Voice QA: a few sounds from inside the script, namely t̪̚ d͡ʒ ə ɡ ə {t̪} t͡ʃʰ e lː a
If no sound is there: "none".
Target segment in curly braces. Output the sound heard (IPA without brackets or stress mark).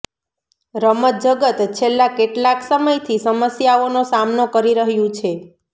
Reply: t̪